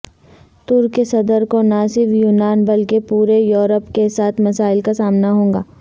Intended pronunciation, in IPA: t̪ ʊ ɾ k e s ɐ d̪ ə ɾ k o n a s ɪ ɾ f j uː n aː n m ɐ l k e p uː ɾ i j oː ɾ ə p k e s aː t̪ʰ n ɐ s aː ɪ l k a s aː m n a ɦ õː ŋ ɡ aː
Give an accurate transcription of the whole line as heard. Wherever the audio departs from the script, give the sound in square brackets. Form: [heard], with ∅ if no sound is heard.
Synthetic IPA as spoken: t̪ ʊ ɾ k e s ɐ d̪ ə ɾ k o n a s ɪ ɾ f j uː n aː n [b] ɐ l k e p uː ɾ [e] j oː ɾ ə p k e s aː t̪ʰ [m] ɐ s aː ɪ l k a s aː m n a ɦ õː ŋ ɡ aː